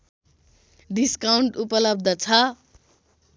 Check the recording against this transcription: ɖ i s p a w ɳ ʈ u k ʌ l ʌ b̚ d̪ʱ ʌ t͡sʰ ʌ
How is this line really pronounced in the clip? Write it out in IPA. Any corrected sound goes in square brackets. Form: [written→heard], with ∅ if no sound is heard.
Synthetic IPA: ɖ i s [p→k] a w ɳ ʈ u [k→p] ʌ l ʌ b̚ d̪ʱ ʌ t͡sʰ ʌ